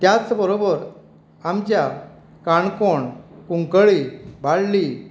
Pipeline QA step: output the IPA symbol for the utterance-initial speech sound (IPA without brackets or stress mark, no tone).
t̪